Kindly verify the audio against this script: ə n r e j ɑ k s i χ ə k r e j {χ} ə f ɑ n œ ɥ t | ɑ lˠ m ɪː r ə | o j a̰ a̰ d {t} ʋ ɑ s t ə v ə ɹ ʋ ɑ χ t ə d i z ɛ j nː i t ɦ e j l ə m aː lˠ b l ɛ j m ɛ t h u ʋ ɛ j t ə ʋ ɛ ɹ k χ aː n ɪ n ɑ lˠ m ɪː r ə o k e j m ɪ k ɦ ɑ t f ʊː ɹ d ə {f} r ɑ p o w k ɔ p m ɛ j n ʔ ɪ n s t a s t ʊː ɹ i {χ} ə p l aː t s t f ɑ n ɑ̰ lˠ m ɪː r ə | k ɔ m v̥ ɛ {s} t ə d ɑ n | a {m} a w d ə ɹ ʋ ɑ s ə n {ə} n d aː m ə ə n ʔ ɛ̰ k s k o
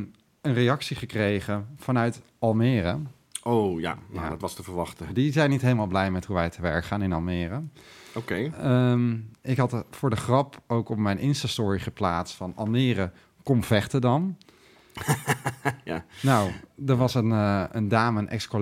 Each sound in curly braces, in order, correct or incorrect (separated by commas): correct, correct, incorrect, correct, incorrect, incorrect, correct